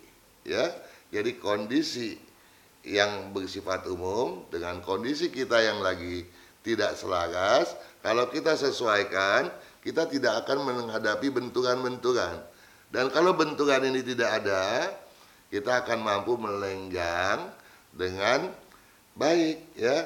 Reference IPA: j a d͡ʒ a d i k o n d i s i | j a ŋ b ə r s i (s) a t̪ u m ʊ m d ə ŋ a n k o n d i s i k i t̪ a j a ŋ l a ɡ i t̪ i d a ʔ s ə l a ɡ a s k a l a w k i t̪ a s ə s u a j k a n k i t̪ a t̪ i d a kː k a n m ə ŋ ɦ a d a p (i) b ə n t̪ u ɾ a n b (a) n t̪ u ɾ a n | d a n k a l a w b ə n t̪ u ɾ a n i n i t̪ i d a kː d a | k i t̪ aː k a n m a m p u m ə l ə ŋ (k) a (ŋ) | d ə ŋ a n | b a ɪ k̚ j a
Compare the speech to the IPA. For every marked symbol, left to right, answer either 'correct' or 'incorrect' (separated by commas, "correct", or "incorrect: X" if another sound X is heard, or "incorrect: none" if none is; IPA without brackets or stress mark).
incorrect: f, correct, incorrect: ə, incorrect: ɡ, correct